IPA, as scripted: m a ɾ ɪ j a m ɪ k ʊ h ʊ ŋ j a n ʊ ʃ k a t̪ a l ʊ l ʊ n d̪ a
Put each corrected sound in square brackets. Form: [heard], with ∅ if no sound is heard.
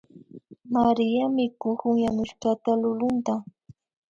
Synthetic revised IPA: m a ɾ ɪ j a m ɪ k ʊ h ʊ ŋ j a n ʊ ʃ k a t̪ a l ʊ l ʊ n [t̪] a